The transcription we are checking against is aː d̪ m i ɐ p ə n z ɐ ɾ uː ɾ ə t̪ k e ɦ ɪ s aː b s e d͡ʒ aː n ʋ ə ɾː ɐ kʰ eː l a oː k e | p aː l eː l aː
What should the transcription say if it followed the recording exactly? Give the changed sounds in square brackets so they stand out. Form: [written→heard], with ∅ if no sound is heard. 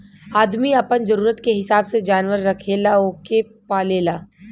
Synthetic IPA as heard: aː d̪ m i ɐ p ə n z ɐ ɾ uː ɾ ə t̪ k e ɦ ɪ s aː b s e d͡ʒ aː n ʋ ə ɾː ɐ kʰ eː l a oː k e | p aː l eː l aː